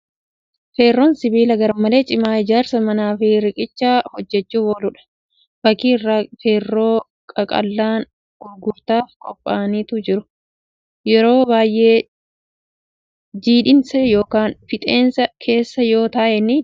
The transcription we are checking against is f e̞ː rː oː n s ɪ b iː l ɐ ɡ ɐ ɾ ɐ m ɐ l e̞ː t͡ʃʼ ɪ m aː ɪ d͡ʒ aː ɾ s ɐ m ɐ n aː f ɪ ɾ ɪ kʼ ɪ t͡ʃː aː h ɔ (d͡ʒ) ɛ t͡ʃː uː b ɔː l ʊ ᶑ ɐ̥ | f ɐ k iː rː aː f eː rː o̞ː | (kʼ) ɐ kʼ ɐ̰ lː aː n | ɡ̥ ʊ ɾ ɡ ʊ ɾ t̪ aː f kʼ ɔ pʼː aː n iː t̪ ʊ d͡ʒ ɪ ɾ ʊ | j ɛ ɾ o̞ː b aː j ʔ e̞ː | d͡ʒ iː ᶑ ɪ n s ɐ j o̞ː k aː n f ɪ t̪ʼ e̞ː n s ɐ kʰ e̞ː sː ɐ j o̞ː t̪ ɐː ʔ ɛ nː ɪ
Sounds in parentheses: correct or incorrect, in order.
incorrect, correct

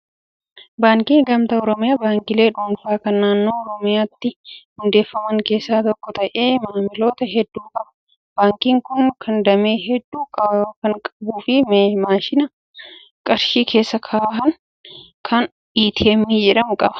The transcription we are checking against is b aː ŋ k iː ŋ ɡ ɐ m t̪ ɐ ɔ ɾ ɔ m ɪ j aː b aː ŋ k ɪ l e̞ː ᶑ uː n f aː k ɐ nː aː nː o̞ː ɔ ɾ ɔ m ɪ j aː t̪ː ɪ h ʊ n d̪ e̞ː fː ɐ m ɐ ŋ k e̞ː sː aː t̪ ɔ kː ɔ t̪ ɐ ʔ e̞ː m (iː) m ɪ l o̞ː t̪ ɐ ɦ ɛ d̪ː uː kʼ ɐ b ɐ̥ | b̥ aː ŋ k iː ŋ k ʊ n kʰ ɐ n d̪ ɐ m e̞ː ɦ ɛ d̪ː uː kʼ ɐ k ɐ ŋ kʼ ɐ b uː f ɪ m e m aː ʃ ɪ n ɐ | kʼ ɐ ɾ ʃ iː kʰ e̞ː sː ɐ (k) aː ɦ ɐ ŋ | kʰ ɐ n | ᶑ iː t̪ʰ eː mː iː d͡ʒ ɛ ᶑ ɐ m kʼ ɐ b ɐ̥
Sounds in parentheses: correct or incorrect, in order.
incorrect, incorrect

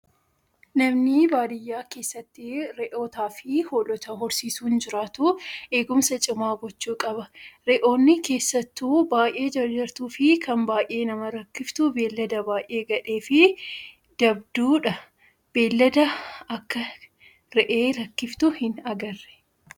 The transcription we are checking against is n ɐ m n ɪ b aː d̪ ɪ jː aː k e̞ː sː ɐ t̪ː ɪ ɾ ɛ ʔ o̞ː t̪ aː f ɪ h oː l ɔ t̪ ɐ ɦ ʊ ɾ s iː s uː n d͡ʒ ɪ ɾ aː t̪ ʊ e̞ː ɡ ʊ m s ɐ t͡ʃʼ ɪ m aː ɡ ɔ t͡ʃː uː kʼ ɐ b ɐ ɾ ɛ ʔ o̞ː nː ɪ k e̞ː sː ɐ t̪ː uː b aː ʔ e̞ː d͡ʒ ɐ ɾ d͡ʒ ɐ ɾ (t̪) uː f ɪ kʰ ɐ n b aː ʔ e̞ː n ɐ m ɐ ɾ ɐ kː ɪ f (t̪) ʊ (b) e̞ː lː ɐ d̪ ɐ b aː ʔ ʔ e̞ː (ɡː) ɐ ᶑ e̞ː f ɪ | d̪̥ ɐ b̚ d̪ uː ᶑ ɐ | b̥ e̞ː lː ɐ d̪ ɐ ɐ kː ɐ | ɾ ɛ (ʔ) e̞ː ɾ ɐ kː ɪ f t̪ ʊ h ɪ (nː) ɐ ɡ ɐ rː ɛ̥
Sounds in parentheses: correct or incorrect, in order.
correct, correct, correct, incorrect, correct, incorrect

